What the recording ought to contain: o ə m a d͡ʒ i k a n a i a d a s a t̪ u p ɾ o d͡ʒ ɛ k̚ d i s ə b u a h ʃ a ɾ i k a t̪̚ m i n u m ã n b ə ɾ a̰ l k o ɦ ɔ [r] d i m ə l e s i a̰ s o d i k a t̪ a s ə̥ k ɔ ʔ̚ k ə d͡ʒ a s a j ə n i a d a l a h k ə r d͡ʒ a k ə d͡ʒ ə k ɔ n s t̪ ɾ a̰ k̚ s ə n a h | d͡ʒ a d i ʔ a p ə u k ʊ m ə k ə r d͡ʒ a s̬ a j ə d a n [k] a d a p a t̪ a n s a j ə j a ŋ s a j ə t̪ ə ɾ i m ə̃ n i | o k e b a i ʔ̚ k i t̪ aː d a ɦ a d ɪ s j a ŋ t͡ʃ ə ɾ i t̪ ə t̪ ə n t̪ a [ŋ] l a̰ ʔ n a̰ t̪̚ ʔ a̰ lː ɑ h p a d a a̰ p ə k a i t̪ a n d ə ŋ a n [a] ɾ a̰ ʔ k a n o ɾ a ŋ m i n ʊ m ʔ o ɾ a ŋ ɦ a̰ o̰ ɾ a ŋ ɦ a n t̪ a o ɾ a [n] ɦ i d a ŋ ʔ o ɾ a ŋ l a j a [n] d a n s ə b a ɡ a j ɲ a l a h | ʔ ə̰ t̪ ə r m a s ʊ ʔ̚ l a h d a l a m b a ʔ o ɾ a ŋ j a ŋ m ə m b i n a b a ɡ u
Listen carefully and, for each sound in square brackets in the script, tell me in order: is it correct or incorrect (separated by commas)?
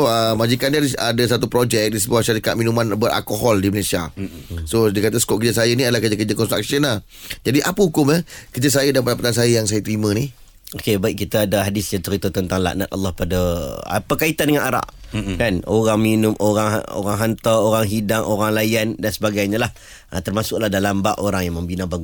incorrect, incorrect, correct, correct, incorrect, correct